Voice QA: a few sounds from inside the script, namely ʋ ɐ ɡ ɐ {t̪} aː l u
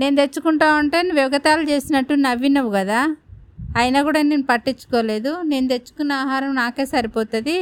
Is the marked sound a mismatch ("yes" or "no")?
no